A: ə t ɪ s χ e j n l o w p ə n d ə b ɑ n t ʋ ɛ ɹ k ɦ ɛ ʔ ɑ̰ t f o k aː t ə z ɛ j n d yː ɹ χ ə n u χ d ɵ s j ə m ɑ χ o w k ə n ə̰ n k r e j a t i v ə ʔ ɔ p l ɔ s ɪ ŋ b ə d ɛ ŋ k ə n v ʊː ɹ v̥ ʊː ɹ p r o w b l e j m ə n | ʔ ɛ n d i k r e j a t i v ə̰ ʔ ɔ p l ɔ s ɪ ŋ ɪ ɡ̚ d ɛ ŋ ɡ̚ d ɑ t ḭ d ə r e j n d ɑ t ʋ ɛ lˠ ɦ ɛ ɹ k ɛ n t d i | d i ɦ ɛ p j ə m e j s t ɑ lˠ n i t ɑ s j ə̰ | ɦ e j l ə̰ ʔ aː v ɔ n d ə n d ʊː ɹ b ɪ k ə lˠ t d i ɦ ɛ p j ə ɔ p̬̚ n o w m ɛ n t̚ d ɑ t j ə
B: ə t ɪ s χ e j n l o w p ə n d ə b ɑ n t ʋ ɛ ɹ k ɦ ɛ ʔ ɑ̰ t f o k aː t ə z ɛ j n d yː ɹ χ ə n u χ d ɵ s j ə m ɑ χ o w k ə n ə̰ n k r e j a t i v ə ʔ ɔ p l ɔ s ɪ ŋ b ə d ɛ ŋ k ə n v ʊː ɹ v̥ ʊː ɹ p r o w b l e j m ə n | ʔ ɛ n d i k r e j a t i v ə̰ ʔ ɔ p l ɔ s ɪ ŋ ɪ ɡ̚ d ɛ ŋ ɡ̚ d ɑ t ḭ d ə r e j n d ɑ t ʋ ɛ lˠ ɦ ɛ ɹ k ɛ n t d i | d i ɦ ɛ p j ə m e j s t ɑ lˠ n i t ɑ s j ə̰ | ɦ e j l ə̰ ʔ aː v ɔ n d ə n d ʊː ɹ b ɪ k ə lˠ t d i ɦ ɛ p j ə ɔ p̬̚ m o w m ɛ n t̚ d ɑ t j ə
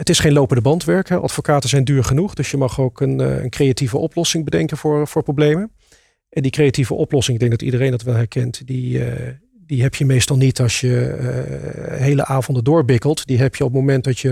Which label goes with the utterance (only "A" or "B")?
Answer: B